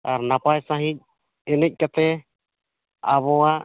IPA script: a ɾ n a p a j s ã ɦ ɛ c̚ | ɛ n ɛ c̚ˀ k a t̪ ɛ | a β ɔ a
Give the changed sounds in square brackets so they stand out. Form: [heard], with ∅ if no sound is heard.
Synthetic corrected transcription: a ɾ n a p a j s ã ɦ [i] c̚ | ɛ n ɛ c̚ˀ k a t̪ ɛ | a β ɔ a